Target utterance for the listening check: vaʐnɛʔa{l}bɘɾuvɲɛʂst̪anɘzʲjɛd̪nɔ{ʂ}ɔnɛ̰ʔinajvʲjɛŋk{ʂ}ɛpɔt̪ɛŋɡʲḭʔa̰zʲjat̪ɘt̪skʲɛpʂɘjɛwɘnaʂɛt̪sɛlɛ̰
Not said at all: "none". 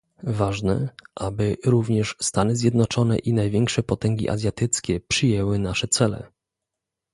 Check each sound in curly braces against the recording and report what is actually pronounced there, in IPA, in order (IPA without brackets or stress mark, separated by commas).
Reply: none, t͡ʂ, ʂ